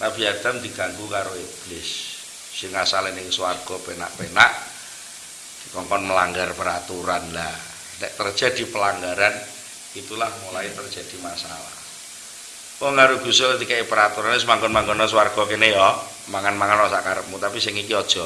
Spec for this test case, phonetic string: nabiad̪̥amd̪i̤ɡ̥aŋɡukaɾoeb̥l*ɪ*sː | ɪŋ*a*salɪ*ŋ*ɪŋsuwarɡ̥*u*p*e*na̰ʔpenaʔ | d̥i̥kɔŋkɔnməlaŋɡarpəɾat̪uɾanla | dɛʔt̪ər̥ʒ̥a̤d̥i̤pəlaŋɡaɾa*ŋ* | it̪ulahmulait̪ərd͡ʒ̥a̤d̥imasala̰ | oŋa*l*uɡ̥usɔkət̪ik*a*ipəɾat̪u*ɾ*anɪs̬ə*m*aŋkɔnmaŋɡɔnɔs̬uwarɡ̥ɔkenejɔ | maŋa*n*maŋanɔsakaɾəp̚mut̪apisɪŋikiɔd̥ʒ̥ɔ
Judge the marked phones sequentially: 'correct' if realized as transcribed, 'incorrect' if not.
correct, correct, incorrect, incorrect, correct, incorrect, incorrect, correct, correct, correct, correct

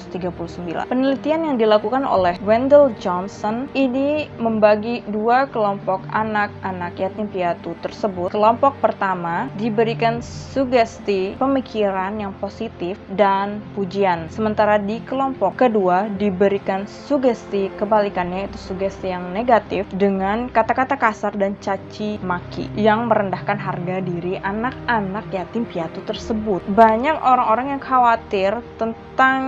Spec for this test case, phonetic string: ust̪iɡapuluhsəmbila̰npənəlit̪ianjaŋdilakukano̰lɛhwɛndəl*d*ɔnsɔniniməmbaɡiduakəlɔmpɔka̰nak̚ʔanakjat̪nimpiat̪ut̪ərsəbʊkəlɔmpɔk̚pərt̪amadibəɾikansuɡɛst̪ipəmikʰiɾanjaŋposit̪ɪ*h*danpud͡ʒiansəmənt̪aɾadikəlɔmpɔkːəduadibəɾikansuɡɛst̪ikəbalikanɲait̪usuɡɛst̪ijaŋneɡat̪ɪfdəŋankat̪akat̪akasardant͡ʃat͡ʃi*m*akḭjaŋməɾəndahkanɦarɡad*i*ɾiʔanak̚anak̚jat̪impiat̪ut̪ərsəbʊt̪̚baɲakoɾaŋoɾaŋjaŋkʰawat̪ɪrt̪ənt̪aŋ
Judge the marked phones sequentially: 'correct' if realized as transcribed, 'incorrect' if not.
incorrect, incorrect, correct, correct

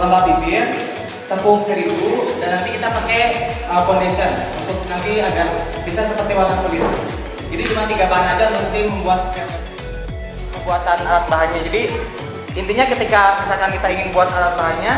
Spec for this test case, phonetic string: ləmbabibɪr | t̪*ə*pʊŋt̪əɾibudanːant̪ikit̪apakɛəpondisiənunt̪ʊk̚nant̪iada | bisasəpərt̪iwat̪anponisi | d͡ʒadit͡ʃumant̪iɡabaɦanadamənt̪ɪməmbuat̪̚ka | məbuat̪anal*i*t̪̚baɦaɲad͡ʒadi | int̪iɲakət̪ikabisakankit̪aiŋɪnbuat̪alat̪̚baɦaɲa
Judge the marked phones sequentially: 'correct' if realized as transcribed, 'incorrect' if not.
correct, incorrect

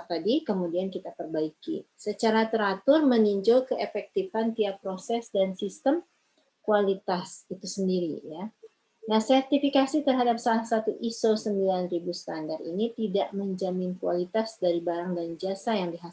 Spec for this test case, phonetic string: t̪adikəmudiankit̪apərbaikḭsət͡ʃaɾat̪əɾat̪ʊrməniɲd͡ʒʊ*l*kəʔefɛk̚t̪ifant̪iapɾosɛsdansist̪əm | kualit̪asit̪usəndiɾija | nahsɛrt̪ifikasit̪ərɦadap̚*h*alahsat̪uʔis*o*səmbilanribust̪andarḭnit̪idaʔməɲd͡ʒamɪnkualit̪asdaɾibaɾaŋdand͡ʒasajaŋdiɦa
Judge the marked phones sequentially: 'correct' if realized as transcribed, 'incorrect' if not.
correct, incorrect, correct

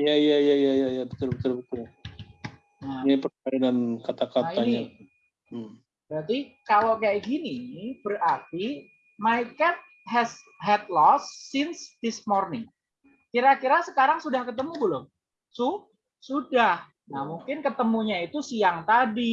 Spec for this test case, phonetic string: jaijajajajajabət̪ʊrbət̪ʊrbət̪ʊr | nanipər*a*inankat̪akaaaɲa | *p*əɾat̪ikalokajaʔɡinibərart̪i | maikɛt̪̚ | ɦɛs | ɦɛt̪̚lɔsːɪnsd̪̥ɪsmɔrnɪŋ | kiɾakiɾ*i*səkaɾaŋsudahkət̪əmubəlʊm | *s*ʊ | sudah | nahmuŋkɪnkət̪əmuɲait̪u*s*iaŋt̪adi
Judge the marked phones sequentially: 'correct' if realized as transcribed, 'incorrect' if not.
correct, incorrect, incorrect, correct, correct

